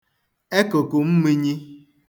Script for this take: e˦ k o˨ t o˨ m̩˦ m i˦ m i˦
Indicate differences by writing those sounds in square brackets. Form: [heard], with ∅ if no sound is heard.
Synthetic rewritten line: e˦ k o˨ [k] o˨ m̩˦ m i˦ [ɲ] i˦